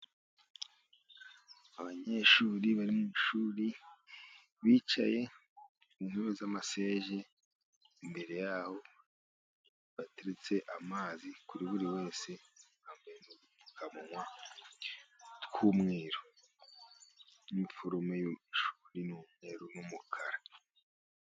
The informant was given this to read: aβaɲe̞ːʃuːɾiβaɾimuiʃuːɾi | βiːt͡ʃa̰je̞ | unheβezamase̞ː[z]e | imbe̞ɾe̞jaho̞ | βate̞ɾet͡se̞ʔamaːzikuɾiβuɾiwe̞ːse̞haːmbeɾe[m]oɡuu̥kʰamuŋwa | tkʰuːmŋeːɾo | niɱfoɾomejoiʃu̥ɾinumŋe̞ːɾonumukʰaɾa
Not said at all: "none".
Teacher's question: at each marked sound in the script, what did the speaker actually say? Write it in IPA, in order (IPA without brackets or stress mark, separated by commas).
ʒ, n